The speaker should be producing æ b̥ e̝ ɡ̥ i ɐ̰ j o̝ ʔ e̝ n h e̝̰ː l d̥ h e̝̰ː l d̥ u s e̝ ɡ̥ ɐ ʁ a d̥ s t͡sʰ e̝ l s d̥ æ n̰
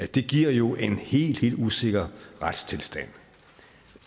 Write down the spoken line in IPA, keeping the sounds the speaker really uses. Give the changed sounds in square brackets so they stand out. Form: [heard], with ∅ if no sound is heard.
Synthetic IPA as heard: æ [d̥] e̝ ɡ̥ i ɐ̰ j o̝ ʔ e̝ n h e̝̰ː l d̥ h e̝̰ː l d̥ u s e̝ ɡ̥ ɐ ʁ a d̥ s t͡sʰ e̝ l s d̥ æ n̰